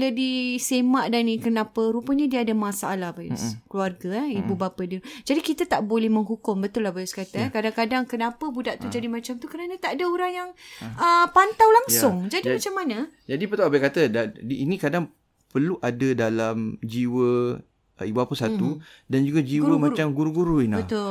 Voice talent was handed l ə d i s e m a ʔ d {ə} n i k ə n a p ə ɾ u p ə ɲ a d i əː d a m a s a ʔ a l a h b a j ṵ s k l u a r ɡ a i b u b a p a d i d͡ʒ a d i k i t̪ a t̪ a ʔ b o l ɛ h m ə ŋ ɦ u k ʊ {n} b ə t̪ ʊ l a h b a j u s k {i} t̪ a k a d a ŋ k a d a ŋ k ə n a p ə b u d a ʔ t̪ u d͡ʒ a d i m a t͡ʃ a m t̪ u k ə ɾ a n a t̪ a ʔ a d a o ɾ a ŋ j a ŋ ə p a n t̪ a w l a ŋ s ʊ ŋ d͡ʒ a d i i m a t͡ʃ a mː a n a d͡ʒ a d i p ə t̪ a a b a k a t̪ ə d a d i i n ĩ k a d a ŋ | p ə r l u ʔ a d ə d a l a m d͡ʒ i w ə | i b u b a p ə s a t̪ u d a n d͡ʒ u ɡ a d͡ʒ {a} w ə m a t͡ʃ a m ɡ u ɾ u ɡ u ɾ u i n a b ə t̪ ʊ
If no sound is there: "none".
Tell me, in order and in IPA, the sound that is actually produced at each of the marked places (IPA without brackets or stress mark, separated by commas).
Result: a, m, a, i